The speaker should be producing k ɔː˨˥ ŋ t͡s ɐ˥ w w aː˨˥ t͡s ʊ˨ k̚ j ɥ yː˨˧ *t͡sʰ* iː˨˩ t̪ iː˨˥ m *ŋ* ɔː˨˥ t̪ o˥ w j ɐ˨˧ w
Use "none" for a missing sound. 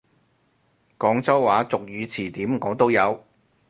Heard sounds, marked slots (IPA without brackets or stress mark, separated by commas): t͡sʰ, ŋ